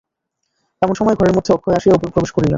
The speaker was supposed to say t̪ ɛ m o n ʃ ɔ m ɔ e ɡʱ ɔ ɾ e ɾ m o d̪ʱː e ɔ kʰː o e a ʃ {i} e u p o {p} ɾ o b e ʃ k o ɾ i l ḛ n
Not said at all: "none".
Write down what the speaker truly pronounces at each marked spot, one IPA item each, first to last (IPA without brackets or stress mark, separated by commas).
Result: i, p